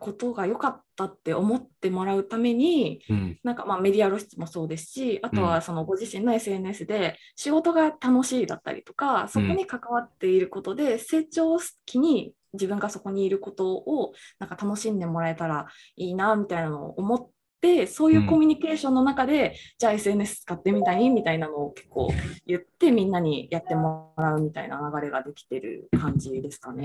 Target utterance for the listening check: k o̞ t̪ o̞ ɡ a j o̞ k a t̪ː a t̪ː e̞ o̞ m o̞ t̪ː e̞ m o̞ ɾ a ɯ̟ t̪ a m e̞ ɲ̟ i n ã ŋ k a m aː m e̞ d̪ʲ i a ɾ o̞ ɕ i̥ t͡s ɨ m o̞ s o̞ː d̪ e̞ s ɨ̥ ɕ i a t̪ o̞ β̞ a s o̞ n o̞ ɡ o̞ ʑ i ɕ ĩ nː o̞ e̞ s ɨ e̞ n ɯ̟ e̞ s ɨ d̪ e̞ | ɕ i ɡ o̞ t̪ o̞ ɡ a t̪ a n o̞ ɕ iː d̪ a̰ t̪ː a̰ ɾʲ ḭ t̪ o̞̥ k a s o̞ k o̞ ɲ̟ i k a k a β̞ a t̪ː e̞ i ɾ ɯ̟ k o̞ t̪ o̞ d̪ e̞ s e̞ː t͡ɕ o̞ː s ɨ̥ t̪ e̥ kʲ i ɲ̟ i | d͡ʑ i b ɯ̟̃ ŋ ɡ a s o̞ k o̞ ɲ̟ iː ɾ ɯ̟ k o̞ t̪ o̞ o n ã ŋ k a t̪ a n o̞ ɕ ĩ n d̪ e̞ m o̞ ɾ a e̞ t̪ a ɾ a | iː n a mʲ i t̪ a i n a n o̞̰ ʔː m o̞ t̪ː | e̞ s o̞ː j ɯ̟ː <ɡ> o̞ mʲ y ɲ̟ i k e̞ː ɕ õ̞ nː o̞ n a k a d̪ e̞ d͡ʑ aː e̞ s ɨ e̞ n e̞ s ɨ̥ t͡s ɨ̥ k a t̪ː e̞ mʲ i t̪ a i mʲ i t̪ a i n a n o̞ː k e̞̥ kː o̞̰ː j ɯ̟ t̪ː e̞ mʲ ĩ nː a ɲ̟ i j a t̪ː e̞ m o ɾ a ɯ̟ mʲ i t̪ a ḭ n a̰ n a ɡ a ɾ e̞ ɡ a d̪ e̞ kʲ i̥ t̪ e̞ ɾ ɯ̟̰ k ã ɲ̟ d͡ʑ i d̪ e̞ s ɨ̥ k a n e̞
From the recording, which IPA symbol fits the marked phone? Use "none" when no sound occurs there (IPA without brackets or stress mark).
k